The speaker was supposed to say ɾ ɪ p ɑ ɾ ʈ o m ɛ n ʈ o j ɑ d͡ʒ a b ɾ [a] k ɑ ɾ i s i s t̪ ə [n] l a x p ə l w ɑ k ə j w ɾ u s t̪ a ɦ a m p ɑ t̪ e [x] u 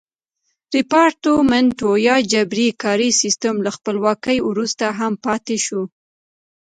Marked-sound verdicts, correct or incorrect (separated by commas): incorrect, incorrect, incorrect